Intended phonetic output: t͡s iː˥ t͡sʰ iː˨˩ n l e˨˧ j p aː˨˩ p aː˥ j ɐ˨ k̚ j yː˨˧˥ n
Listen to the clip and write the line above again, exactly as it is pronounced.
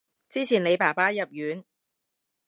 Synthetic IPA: t͡s iː˥ t͡sʰ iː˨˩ n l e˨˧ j p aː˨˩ p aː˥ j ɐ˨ p̚ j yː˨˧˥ n